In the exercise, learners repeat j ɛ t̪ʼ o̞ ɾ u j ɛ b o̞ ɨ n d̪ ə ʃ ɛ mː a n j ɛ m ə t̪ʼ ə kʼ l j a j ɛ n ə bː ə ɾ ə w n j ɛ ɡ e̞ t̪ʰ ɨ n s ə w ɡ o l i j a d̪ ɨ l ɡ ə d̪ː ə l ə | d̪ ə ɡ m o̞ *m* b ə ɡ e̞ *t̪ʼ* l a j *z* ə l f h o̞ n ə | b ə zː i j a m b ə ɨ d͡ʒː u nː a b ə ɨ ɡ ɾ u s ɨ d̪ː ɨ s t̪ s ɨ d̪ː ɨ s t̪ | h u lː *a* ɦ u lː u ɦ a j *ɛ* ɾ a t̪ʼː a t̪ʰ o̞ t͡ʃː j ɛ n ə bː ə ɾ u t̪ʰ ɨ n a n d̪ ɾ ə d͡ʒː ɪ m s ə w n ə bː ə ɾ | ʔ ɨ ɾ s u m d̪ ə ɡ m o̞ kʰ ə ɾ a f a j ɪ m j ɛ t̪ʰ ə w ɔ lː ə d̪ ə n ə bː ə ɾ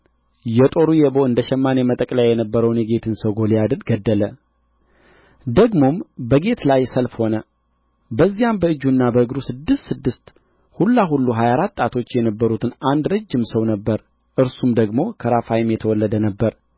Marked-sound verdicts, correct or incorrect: correct, incorrect: t̪, incorrect: s, correct, incorrect: a

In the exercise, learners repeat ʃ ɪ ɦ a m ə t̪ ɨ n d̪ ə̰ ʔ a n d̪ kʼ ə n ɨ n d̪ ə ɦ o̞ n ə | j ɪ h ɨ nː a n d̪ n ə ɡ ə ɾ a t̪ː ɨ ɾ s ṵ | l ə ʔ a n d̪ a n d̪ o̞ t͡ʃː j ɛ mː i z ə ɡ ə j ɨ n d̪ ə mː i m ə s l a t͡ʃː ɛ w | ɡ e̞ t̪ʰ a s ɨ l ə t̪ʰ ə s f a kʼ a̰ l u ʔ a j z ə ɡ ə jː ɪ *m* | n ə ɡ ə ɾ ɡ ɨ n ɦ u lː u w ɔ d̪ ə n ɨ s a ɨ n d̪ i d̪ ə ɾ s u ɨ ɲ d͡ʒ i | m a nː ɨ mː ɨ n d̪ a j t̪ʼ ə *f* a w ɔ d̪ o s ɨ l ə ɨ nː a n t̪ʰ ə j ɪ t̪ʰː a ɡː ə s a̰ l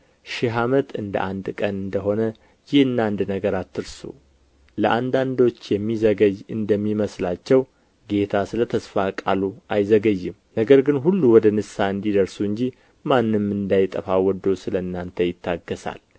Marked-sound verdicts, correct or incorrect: correct, correct

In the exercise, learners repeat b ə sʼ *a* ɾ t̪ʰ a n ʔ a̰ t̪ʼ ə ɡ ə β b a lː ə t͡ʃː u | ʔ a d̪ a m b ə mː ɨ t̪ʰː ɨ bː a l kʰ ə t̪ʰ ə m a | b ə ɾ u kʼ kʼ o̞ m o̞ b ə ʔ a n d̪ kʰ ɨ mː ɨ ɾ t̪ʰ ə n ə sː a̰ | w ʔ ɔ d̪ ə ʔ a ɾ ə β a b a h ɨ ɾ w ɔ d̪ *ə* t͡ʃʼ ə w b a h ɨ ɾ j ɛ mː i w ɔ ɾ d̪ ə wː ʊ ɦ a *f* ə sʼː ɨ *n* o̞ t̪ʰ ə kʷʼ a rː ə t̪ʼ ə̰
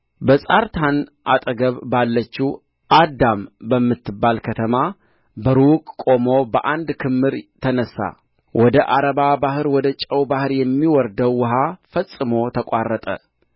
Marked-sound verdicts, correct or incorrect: correct, correct, correct, incorrect: m

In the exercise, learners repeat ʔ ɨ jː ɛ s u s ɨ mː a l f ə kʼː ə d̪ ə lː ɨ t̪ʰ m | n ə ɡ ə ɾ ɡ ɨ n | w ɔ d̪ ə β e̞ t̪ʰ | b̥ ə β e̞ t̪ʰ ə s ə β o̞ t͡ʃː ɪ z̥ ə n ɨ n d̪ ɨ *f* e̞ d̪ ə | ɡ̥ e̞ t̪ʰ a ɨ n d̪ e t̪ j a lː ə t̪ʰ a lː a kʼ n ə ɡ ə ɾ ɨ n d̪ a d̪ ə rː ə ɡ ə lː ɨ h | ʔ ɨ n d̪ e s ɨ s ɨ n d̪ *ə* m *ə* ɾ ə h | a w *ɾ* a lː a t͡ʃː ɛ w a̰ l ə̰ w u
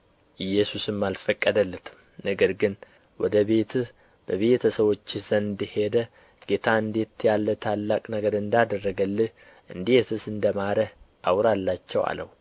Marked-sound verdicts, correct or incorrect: incorrect: h, correct, incorrect: a, correct

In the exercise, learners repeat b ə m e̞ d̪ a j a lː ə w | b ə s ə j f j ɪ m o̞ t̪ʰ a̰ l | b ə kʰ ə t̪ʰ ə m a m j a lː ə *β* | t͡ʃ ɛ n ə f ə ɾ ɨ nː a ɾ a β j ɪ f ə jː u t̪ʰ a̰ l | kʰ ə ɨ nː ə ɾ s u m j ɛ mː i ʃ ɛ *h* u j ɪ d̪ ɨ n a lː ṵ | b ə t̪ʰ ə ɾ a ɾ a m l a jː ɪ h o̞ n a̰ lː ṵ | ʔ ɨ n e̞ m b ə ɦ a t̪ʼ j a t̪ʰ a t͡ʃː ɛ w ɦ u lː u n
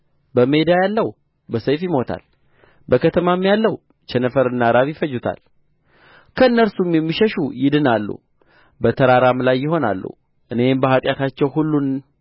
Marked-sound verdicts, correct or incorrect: incorrect: w, incorrect: ʃ

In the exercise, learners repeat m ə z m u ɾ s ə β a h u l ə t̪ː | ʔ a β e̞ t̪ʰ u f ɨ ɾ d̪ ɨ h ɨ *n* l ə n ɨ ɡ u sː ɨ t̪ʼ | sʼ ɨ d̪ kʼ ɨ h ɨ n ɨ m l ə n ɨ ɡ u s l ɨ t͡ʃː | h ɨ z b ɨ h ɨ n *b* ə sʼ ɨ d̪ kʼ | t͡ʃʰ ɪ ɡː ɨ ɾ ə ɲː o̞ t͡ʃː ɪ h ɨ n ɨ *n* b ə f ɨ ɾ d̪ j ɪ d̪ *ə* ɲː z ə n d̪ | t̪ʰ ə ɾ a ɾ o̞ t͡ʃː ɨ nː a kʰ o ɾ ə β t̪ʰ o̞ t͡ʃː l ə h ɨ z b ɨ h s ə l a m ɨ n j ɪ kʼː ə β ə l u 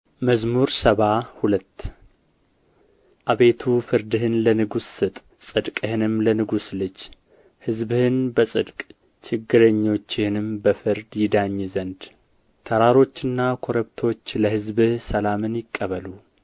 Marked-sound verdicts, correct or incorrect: correct, correct, incorrect: m, incorrect: a

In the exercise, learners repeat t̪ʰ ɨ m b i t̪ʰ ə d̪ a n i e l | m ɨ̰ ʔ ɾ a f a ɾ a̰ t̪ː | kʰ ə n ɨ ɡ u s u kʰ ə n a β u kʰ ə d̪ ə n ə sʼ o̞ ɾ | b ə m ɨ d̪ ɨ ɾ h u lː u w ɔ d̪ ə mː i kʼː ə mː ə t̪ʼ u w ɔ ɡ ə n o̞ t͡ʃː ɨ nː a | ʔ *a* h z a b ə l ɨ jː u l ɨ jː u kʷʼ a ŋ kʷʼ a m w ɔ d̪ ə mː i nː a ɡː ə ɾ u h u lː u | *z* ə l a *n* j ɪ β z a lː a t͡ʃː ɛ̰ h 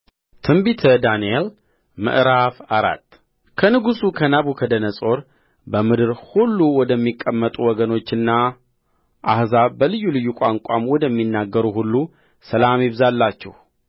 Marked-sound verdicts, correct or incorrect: correct, incorrect: s, incorrect: m

